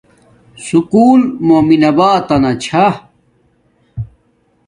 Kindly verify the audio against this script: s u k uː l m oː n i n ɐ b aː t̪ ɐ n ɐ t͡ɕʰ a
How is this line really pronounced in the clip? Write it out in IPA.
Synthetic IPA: s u k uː l m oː m i n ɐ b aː t̪ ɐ n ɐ t͡ɕʰ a